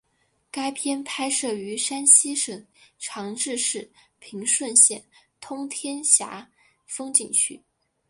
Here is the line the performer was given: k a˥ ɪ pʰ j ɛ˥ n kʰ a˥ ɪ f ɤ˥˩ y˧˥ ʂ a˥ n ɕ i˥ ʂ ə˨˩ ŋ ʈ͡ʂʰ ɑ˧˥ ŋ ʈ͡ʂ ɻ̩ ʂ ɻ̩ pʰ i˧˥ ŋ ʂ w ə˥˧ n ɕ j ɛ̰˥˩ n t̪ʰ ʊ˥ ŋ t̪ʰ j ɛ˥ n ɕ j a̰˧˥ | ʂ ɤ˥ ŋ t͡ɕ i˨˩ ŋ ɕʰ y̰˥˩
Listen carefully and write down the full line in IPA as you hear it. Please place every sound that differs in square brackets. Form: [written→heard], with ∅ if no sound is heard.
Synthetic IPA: k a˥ ɪ pʰ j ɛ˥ n [kʰ→pʰ] a˥ ɪ [f→ʂ] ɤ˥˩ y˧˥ ʂ a˥ n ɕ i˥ ʂ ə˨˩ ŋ ʈ͡ʂʰ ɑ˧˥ ŋ ʈ͡ʂ ɻ̩ ʂ ɻ̩ pʰ i˧˥ ŋ ʂ w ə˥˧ n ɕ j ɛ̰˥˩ n t̪ʰ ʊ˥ ŋ t̪ʰ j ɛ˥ n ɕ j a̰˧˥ | [ʂ→f] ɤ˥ ŋ t͡ɕ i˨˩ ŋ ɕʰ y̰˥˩